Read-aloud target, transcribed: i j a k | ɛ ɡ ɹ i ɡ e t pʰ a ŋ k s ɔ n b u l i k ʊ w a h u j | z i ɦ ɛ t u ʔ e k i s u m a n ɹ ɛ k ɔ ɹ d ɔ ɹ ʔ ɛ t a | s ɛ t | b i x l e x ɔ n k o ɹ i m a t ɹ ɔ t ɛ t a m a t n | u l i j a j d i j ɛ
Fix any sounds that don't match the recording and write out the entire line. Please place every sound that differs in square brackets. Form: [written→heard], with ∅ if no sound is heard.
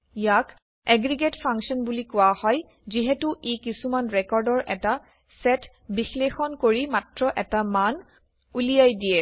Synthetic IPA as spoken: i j a k | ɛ ɡ ɹ i ɡ e t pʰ a ŋ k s ɔ n b u l i k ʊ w a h [u→ɔ] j | z i ɦ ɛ t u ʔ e k i s u m a n ɹ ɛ k ɔ ɹ d ɔ ɹ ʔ ɛ t a | s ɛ t | b i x l e x ɔ n k o ɹ i m a t ɹ ɔ [t→ʔ] ɛ t a m a [t→∅] n | u l i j a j d i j ɛ